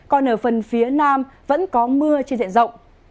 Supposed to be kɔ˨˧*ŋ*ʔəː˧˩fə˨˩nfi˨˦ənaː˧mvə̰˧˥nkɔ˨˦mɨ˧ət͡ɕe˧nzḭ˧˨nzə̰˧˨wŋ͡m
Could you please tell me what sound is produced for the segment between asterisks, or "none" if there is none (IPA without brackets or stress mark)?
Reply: n